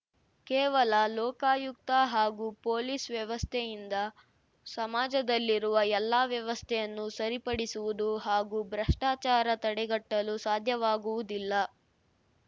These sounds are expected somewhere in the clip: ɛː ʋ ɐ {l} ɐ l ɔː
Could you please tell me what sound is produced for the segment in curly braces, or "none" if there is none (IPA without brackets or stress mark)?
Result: l